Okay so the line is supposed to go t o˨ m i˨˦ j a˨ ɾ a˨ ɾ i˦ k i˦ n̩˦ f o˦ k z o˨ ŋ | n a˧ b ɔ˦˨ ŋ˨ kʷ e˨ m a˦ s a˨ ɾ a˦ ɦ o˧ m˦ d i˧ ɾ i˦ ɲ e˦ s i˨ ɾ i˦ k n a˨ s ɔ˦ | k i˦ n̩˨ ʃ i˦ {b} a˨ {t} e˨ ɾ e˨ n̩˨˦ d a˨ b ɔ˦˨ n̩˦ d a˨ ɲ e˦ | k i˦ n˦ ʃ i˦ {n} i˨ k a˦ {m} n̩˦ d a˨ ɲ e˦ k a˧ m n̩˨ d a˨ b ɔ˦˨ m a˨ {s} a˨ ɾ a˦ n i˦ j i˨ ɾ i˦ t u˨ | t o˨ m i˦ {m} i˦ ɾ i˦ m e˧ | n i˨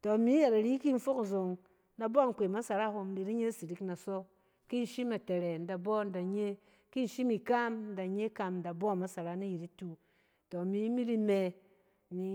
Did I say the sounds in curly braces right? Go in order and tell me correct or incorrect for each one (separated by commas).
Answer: incorrect, correct, incorrect, correct, correct, correct